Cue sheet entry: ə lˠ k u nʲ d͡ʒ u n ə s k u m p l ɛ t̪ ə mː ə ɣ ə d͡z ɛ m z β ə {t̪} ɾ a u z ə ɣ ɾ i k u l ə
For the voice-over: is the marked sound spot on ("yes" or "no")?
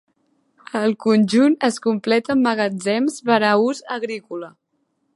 no